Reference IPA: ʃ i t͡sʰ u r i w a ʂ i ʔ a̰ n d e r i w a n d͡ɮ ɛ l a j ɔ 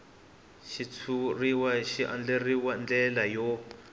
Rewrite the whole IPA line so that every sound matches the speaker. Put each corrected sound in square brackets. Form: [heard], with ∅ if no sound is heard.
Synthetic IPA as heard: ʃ i t͡sʰ u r i w a [ʃ] i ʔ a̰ n [d͡ɮ] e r i w a n d͡ɮ ɛ l a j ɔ